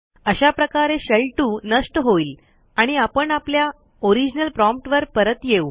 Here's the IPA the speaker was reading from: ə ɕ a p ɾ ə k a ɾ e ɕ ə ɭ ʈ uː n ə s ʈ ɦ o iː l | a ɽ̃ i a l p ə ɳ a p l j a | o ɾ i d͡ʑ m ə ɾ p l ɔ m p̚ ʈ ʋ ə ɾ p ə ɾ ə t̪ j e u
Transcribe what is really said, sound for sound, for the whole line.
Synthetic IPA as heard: ə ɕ a p ɾ ə k a ɾ e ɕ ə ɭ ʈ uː n ə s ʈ ɦ o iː l | a ɽ̃ i a p ə ɳ a p l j a | o ɾ i d͡ʑ n ə l p ɾ ɔ m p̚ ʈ ʋ ə ɾ p ə ɾ ə t̪ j e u